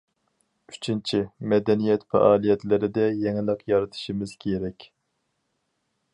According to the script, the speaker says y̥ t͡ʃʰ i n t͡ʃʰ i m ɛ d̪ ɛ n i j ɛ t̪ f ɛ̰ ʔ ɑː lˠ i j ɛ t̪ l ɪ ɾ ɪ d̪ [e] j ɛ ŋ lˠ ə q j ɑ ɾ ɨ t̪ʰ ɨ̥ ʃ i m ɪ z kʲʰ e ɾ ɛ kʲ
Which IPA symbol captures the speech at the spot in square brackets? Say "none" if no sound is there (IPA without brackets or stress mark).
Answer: ɛ